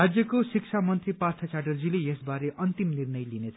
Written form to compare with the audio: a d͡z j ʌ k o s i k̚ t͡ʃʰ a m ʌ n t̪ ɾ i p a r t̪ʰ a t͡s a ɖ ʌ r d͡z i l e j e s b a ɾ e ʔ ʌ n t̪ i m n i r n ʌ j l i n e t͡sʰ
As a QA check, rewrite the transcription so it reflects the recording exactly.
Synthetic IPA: a d͡z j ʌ k o s i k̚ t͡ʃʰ a m ʌ n t̪ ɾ i p a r t̪ʰ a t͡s a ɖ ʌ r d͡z i l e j e s b a ɾ e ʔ ʌ n t̪ i m n i r n ʌ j l i n e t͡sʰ